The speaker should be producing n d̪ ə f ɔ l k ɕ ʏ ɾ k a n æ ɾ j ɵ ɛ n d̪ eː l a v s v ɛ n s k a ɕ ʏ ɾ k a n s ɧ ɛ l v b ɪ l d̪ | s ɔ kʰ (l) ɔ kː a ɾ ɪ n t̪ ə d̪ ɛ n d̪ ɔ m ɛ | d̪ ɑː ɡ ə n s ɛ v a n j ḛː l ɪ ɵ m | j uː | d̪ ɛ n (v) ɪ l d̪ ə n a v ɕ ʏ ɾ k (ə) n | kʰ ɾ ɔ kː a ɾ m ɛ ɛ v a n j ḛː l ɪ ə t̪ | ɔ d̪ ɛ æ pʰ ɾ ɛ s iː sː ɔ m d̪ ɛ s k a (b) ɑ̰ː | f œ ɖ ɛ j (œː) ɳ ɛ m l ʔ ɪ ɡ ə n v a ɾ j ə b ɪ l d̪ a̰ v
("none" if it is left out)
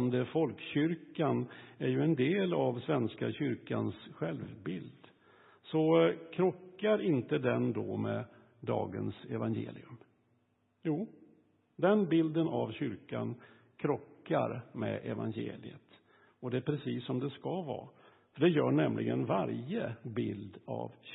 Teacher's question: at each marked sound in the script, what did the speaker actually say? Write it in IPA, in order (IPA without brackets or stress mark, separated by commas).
ɾ, b, a, v, œː